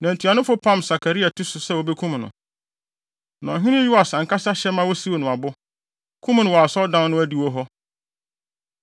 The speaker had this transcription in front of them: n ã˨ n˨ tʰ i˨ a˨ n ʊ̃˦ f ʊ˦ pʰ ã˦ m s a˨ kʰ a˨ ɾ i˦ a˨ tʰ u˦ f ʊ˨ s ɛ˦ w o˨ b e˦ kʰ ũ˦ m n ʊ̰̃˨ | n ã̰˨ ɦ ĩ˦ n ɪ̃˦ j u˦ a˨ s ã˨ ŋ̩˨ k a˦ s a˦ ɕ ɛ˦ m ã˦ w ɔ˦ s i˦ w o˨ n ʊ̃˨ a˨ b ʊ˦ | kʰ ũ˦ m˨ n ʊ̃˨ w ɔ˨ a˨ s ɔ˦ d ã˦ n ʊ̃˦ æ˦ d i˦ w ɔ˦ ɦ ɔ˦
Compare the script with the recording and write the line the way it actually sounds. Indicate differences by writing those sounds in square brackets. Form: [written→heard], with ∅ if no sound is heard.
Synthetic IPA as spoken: n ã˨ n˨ tʰ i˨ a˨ n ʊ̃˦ f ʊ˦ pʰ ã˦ m s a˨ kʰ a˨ ɾ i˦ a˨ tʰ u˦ [f→s] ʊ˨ s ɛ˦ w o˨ b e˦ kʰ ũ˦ m n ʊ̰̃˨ | n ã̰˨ ɦ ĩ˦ n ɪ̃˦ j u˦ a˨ s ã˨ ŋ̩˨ k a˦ s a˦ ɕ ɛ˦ m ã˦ w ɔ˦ s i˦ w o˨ n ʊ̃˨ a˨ b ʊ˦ | kʰ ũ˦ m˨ n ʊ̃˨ w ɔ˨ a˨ s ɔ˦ d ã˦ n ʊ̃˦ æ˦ d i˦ w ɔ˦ ɦ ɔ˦